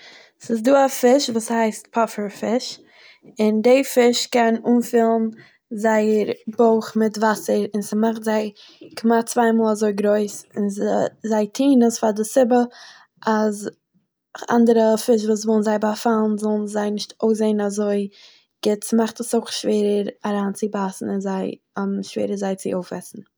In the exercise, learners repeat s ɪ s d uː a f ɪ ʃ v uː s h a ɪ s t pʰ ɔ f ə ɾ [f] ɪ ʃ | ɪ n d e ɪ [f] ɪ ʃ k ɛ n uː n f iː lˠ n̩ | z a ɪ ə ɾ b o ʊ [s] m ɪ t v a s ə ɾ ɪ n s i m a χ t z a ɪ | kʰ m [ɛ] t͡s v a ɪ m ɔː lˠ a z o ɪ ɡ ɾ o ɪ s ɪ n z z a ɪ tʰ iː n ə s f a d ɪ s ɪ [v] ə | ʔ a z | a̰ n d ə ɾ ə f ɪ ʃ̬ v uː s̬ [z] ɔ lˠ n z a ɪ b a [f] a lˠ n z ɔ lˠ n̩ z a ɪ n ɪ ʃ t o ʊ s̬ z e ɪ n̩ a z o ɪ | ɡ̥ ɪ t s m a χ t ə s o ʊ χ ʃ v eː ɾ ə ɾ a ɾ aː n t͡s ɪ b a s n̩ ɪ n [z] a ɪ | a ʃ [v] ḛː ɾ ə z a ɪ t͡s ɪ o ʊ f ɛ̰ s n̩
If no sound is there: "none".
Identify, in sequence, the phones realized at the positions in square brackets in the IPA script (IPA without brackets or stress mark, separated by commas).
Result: f, f, χ, a, b, v, f, z, v